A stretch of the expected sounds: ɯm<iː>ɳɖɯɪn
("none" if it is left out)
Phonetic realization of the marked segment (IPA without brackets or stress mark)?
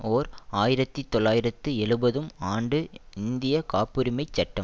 aː